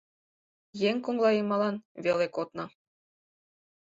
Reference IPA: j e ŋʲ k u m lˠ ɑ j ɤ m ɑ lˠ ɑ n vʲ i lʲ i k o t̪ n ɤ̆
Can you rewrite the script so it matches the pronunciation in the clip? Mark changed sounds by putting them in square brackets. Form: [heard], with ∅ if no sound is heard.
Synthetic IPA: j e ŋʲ k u [ŋ] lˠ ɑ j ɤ m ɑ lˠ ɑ n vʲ [e] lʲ [e] k o t̪ n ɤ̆